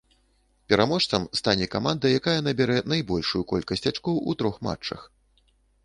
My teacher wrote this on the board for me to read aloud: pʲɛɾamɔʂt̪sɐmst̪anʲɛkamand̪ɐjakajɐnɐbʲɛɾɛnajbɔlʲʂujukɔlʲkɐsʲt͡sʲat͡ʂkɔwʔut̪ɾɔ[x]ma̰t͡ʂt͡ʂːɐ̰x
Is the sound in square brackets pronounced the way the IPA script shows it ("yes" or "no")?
yes